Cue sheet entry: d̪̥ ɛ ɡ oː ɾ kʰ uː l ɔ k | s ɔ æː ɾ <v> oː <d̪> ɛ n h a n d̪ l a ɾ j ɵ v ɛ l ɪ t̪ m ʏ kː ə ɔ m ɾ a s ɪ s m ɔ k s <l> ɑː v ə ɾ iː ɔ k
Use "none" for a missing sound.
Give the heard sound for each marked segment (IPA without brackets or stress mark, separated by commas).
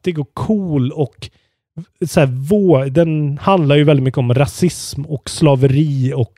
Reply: v, d̪, l